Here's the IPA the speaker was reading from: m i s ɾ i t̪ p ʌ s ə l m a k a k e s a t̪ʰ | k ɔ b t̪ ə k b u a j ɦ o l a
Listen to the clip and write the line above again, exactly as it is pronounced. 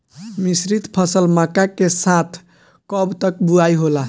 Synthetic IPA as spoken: m i s ɾ i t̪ pʰ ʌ s ə l m a k a k e s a t̪ʰ | k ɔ b t̪ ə k b u a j ɦ o l a